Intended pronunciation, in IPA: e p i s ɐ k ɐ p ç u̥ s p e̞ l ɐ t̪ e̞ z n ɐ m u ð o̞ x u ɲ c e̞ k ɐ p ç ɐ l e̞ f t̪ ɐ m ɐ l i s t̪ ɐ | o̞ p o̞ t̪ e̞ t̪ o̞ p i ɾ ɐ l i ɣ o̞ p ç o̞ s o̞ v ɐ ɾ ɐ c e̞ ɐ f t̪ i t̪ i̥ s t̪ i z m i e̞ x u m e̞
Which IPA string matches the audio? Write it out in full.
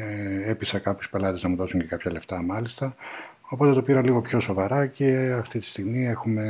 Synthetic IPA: e p i s ɐ k ɐ p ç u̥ s p e̞ l ɐ t̪ e̞ z n ɐ m u ð o̞ s u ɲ c e̞ k ɐ p ç ɐ l e̞ f t̪ ɐ m ɐ l i s t̪ ɐ | o̞ p o̞ t̪ e̞ t̪ o̞ p i ɾ ɐ l i ɣ o̞ p ç o̞ s o̞ v ɐ ɾ ɐ c e̞ ɐ f t̪ i t̪ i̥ s t̪ i ɣ m i e̞ x u m e̞